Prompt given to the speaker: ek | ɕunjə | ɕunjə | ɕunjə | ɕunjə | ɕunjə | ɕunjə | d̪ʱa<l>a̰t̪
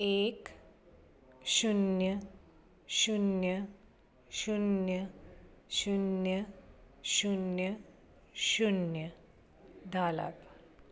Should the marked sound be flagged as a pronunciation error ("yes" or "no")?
no